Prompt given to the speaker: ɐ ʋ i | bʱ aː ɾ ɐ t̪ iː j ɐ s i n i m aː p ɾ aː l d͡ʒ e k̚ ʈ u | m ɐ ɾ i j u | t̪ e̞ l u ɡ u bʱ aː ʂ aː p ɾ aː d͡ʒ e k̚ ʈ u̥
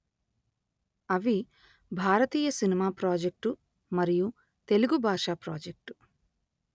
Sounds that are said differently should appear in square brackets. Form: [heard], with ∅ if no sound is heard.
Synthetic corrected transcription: ɐ ʋ i | bʱ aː ɾ ɐ t̪ iː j ɐ s i n i m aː p ɾ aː [∅] d͡ʒ e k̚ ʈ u | m ɐ ɾ i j u | t̪ e̞ l u ɡ u bʱ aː ʂ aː p ɾ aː d͡ʒ e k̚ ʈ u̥